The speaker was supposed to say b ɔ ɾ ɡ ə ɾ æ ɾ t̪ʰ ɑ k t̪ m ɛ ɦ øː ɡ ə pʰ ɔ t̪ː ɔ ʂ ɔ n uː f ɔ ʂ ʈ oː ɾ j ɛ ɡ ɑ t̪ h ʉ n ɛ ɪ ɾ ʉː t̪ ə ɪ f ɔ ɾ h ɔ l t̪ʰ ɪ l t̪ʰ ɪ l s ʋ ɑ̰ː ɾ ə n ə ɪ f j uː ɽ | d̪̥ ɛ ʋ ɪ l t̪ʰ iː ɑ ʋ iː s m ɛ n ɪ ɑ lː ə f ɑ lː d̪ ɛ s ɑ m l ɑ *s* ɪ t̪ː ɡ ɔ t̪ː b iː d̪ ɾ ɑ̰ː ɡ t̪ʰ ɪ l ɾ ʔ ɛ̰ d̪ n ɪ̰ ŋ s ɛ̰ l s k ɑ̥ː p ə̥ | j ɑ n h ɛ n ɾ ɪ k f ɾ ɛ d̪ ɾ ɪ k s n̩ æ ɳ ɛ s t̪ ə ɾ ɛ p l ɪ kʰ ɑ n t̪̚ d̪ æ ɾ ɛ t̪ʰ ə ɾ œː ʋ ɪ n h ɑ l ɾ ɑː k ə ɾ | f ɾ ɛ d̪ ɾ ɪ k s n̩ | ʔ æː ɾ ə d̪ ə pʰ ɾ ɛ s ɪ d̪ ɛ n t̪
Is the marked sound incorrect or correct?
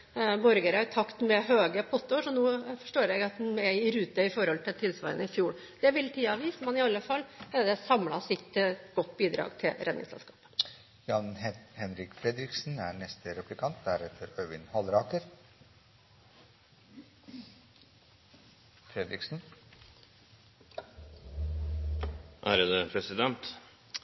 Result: correct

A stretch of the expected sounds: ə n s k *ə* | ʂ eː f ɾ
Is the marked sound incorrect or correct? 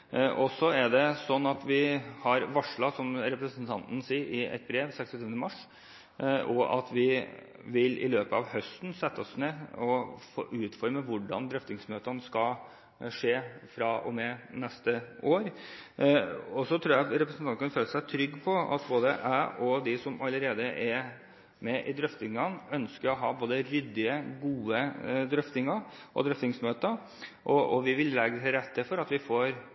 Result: incorrect: ɑ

